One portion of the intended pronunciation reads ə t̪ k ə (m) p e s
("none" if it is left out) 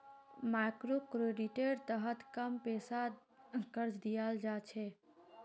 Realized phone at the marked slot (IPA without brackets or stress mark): m